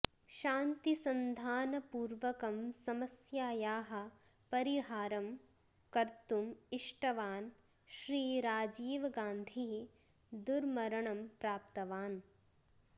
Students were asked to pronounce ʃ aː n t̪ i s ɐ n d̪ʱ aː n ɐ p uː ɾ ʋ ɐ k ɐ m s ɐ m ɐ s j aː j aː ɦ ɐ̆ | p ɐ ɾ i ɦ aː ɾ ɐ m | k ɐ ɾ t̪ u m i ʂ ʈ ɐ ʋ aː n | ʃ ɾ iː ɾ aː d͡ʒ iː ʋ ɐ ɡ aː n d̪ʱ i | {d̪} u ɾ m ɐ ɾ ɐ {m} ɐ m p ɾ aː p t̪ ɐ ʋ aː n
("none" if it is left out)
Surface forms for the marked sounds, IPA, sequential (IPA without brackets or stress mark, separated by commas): d̪, ɳ